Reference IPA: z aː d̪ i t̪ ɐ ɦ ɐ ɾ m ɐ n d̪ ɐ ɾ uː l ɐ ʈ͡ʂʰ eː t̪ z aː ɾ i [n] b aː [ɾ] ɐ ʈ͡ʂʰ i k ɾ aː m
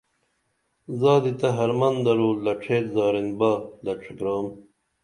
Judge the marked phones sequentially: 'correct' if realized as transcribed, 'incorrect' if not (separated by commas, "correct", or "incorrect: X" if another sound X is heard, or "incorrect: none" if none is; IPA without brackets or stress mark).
correct, incorrect: l